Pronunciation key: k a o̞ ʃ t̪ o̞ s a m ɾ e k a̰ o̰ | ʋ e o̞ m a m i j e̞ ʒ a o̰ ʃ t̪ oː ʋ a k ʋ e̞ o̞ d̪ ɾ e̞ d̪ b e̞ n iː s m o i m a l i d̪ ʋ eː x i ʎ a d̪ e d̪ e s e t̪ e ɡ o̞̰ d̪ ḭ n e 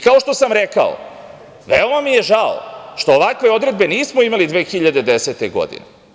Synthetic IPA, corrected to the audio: k a o̞ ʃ t̪ o̞ s a m ɾ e k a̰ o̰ | ʋ e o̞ m a m i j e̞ ʒ a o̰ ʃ t̪ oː ʋ a k ʋ e̞ o̞ d̪ ɾ e̞ d̪ b e̞ n iː s m o i m a l i d̪ ʋ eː x i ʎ a d̪ e d̪ e s e t̪ e ɡ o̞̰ d̪ ḭ n e